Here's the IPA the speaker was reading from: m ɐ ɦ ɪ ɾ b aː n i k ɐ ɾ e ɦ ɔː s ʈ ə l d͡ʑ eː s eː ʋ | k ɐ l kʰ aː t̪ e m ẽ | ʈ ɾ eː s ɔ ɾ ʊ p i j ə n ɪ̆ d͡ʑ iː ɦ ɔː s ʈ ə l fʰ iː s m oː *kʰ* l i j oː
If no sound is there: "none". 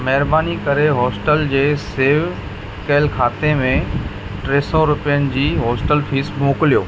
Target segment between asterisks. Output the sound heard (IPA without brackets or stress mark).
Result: k